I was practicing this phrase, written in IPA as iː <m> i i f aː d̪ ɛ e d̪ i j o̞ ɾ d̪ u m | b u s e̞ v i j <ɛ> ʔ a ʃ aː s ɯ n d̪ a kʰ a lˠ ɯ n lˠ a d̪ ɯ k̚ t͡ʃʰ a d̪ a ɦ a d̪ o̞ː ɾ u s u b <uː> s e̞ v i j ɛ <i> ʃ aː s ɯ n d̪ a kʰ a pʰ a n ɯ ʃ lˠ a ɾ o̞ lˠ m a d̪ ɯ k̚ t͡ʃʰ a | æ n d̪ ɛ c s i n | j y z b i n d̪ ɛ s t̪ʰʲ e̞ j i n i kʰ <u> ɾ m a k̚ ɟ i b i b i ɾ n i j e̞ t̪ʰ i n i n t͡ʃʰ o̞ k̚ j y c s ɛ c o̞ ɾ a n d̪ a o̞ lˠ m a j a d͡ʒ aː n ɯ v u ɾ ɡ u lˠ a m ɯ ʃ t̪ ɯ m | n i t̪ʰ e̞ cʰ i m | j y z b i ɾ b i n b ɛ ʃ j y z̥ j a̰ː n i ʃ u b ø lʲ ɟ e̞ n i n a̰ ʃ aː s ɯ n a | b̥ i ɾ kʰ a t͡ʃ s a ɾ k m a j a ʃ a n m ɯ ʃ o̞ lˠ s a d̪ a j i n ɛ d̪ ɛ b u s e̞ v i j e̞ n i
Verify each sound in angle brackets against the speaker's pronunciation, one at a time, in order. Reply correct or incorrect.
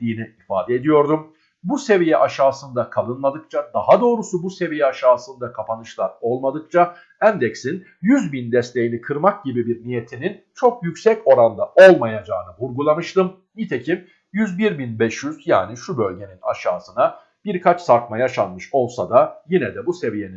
incorrect, correct, incorrect, incorrect, incorrect

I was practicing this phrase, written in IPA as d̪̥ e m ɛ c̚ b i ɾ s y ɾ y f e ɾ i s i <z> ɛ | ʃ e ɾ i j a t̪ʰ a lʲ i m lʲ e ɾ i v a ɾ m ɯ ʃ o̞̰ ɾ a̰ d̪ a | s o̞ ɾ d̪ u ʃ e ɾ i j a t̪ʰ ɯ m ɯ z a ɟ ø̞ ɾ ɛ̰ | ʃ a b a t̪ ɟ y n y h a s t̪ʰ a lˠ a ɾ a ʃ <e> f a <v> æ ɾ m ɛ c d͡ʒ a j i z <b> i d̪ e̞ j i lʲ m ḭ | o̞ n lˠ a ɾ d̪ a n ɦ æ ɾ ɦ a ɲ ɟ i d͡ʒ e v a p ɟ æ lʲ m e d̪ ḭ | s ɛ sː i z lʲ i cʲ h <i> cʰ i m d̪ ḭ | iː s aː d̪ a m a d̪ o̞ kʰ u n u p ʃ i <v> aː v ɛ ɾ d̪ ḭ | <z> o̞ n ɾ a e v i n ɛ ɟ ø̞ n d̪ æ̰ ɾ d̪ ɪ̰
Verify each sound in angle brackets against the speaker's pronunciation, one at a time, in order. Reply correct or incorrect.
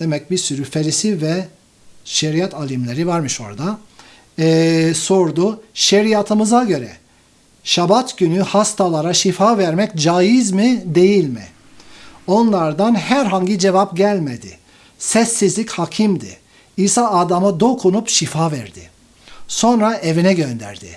incorrect, incorrect, correct, incorrect, incorrect, incorrect, incorrect

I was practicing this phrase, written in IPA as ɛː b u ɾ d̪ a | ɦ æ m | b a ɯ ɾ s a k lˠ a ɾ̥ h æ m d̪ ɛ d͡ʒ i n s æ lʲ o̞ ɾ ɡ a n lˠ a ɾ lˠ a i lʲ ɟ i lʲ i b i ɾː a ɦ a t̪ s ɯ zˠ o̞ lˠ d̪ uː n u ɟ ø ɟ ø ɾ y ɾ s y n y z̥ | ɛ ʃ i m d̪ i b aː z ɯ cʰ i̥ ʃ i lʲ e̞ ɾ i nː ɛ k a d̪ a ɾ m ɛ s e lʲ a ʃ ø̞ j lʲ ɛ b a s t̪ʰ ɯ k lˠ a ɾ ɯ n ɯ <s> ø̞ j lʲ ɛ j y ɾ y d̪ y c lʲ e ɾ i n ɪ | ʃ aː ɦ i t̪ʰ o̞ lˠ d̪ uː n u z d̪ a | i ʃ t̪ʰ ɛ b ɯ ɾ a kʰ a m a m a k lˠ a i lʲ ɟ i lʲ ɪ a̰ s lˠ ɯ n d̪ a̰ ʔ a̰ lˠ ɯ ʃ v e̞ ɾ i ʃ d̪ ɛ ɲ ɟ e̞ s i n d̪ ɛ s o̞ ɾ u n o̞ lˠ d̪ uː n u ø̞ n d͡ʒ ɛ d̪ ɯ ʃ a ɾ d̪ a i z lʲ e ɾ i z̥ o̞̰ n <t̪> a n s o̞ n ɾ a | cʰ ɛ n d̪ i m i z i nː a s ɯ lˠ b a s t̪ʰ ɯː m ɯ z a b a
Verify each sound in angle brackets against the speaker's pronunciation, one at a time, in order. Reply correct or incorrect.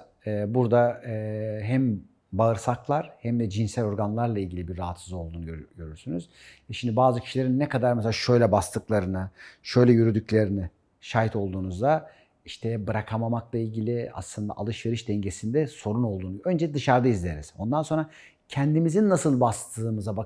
incorrect, incorrect

